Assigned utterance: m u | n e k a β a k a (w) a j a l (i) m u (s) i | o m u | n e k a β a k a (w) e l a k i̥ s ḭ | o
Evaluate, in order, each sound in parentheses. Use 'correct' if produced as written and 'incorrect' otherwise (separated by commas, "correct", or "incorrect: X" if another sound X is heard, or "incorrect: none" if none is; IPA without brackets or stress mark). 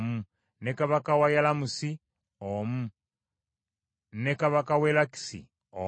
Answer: correct, incorrect: a, correct, correct